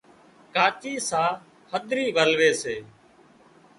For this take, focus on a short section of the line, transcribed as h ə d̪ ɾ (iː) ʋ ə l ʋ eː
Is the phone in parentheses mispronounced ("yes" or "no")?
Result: no